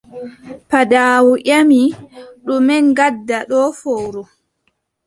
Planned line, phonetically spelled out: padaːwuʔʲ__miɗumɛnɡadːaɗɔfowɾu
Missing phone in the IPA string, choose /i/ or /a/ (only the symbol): a